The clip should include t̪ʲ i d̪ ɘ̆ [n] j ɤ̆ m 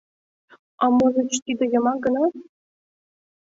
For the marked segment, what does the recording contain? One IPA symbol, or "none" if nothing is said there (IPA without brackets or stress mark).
none